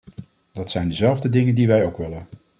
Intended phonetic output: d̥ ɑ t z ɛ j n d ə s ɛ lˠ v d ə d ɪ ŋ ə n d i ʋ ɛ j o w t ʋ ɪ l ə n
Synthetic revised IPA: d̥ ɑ t s ɛ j n d ə z ɛ lˠ v d ə d ɪ ŋ ə n d i ʋ ɛ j o w k ʋ ɪ l ə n